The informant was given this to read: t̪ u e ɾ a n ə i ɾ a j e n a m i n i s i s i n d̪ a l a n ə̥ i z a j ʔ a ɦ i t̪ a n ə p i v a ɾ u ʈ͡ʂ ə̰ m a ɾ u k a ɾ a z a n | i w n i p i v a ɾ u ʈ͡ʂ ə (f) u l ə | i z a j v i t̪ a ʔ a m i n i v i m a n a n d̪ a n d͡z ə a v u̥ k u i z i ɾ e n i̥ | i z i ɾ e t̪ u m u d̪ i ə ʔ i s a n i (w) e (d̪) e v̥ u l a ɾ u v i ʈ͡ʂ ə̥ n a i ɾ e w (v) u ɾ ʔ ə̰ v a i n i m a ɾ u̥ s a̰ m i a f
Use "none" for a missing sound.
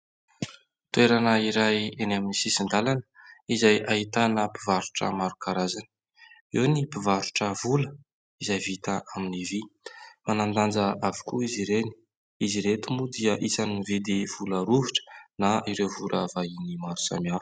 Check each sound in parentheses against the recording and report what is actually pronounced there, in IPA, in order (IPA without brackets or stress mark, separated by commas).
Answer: v, v, d̪, v